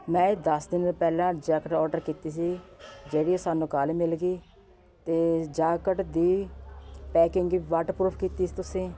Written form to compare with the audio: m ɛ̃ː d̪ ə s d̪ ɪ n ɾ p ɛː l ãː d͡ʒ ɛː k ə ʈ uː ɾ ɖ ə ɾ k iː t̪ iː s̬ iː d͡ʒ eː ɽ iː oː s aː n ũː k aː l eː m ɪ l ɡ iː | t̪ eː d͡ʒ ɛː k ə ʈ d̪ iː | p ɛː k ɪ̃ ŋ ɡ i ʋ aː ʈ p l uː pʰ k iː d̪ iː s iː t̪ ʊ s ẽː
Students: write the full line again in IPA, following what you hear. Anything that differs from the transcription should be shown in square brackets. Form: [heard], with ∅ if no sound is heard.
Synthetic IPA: m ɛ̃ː d̪ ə s d̪ ɪ n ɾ p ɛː l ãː d͡ʒ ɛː k ə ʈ [ɔː] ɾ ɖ ə ɾ k iː t̪ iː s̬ iː d͡ʒ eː ɽ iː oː s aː n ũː k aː l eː m ɪ l ɡ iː | t̪ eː d͡ʒ [aː] k ə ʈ d̪ iː | p ɛː k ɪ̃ ŋ ɡ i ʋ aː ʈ p [ɾ] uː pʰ k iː [t̪] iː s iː t̪ ʊ s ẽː